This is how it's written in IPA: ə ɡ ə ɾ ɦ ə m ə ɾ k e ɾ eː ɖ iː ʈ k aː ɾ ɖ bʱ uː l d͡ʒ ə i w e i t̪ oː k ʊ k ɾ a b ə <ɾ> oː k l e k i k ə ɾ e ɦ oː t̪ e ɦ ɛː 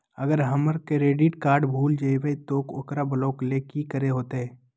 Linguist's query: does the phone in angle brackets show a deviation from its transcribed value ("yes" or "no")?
yes